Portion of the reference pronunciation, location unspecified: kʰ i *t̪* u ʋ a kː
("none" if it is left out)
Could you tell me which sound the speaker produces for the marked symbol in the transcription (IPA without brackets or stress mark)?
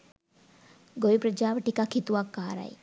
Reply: t̪